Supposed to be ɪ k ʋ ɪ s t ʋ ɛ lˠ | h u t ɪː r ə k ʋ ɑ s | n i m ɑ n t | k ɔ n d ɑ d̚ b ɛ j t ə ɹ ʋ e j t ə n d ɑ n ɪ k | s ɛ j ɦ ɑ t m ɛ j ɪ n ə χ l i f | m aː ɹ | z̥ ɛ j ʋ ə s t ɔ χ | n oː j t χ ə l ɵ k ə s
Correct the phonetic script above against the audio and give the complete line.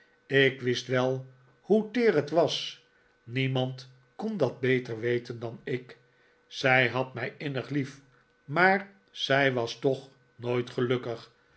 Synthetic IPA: ɪ k ʋ ɪ s t ʋ ɛ lˠ | h u t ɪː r ə t ʋ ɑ s | n i m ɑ n t | k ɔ n d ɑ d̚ b e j t ə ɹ ʋ e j t ə n d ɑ n ɪ k | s ɛ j ɦ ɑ t m ɛ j ɪ n ə χ l i f | m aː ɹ | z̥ ɛ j ʋ ɑ s t ɔ χ | n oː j t χ ə l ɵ k ə χ